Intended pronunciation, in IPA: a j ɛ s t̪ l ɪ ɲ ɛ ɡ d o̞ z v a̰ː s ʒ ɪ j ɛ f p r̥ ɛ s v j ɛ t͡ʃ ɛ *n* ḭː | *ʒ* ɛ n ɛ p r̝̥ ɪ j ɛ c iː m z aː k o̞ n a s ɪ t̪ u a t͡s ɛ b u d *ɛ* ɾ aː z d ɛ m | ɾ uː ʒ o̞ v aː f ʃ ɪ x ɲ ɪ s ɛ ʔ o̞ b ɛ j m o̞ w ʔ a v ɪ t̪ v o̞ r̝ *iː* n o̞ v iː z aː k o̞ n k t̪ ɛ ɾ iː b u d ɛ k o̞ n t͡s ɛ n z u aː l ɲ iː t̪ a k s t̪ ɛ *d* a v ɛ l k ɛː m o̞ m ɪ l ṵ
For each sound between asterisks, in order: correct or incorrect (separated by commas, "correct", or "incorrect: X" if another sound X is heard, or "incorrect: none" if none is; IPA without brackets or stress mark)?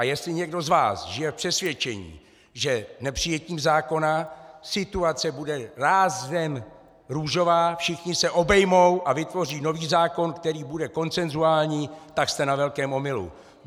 incorrect: ɲ, correct, correct, correct, incorrect: n